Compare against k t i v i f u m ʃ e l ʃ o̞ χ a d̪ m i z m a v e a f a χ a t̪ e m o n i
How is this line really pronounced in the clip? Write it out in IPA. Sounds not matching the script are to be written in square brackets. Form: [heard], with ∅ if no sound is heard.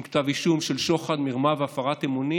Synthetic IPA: k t [a] v i [ʃ] u m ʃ e l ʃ o̞ χ a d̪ m i [ʁ] m a v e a f a [ʁ] a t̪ e m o n i